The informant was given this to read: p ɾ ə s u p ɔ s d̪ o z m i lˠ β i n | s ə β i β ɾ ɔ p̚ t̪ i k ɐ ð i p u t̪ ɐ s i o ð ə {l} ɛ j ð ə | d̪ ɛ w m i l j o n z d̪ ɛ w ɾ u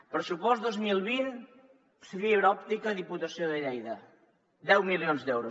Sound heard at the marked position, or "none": ʎ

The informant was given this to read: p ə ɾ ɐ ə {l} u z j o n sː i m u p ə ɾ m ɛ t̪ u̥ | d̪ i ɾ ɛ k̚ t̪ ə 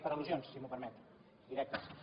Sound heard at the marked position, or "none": l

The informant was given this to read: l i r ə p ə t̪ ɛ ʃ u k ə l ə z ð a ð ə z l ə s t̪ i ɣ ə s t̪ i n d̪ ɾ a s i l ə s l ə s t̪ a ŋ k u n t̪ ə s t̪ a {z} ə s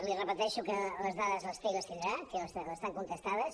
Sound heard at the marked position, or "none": ð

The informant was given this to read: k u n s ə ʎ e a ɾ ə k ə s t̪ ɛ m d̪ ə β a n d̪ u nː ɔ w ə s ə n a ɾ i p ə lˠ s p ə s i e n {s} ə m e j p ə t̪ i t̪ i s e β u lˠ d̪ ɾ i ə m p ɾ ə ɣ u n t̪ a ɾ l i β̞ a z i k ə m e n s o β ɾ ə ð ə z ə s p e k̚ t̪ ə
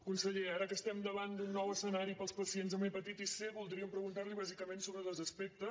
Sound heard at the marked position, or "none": z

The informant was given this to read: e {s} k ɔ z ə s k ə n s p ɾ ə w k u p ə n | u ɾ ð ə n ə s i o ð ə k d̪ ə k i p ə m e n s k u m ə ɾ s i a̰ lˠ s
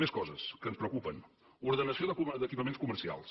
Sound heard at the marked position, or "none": s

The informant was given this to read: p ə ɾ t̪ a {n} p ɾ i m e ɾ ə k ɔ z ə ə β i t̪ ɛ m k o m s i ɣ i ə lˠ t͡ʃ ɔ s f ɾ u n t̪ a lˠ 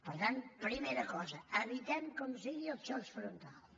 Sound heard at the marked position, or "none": n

